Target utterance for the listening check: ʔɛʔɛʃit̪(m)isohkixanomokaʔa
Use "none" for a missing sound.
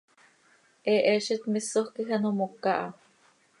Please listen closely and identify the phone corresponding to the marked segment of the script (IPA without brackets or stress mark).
m